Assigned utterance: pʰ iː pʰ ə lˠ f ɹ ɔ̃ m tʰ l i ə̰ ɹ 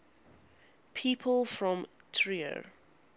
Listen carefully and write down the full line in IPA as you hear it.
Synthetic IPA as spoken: pʰ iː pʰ ə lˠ f ɹ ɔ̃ m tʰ ɹ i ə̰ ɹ